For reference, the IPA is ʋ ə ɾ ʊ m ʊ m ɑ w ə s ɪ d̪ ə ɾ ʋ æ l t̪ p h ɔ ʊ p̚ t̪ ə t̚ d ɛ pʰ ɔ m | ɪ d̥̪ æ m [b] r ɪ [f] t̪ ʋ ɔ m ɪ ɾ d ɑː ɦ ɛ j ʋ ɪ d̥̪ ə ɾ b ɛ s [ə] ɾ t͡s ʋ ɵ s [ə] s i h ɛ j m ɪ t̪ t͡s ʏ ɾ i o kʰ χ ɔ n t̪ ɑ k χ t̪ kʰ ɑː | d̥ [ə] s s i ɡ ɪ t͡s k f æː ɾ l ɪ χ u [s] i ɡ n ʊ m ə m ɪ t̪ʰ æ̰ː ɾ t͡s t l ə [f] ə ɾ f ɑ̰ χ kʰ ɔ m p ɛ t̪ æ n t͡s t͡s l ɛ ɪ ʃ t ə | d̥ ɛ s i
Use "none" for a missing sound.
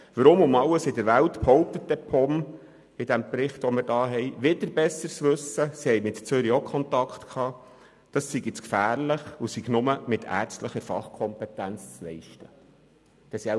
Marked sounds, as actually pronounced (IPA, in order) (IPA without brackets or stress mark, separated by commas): p, χ, ə, ə, ɑ, s, χ